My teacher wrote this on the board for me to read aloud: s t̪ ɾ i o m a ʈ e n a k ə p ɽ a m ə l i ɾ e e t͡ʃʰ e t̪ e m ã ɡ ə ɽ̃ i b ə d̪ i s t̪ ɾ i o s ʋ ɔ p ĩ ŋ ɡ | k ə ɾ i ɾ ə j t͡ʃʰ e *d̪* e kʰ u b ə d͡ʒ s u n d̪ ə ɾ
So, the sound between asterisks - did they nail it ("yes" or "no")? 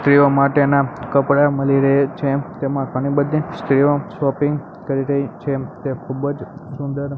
no